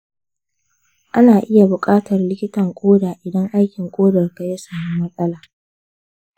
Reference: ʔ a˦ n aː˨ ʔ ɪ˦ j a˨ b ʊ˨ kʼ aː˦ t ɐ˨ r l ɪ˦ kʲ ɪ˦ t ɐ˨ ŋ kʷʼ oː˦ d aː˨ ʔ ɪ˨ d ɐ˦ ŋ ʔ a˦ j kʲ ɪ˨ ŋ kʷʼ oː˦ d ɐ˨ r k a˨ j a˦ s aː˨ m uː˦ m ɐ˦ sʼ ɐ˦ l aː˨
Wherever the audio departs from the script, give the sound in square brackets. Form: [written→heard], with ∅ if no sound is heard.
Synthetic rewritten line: ʔ a˦ n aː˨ ʔ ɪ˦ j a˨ b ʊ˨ kʼ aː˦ t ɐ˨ r l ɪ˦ kʲ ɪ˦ t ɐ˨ ŋ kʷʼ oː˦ d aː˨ ʔ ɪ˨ d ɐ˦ ŋ ʔ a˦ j kʲ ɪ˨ ŋ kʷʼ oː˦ d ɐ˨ r k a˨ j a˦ s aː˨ m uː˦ m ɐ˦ sʼ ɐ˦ l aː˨